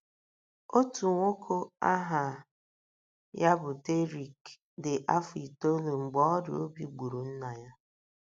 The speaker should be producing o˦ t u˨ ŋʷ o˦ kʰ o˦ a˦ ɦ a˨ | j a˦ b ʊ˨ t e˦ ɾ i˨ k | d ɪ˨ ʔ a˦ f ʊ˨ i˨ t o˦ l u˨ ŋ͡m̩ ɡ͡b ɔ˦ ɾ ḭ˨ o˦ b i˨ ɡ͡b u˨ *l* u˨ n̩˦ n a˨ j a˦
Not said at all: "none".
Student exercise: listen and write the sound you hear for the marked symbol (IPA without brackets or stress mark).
ɾ